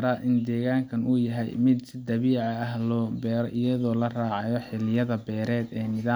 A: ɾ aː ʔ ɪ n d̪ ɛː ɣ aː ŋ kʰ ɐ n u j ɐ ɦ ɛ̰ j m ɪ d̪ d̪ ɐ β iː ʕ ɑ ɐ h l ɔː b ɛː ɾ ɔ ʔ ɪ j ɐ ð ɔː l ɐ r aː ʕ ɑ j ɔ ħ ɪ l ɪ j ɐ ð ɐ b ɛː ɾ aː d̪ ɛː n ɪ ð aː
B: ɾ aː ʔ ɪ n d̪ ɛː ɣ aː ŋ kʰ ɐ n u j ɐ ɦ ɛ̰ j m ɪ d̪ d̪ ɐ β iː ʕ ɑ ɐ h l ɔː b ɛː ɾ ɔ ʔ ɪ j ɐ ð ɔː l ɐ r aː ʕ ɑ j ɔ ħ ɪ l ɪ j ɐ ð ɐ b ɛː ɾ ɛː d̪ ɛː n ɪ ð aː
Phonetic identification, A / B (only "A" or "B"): B